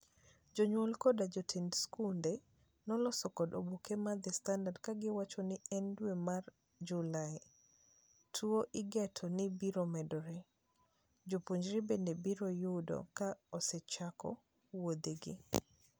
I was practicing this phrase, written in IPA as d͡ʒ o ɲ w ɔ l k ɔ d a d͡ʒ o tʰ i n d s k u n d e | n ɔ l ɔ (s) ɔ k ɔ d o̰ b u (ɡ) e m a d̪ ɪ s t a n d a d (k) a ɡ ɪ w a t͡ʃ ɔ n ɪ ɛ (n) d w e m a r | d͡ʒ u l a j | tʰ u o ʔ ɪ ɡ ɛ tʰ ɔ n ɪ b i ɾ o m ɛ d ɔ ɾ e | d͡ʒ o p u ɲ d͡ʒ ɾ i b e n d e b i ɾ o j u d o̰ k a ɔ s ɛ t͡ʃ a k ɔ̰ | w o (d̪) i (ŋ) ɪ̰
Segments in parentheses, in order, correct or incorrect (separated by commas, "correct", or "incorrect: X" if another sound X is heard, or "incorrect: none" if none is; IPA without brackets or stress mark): correct, incorrect: k, correct, correct, correct, incorrect: ɡ